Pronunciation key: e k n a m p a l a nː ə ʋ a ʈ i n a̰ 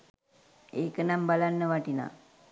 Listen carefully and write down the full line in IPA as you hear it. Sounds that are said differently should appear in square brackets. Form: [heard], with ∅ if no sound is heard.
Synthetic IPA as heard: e k n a m [b] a l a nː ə ʋ a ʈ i n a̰